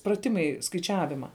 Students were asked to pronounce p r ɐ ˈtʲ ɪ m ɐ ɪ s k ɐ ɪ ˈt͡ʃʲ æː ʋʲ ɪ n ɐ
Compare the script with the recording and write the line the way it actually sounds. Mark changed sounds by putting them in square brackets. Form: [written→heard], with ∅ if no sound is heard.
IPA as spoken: p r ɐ ˈtʲ ɪ m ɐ ɪ s k ɐ ɪ ˈt͡ʃʲ æː ʋʲ ɪ [n→m] ɐ